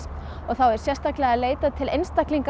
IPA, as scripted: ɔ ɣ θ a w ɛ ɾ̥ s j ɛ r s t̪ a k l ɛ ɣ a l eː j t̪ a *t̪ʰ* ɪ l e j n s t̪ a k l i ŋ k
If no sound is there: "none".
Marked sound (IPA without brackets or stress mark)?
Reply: t̪ʰ